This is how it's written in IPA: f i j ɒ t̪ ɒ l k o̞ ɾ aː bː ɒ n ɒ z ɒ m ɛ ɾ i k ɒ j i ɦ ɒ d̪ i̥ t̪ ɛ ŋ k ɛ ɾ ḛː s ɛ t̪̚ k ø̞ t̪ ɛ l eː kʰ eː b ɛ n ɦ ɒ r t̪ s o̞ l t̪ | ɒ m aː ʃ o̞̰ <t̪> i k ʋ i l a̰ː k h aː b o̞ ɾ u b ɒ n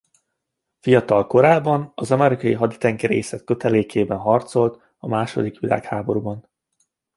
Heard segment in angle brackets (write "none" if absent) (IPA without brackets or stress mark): d̪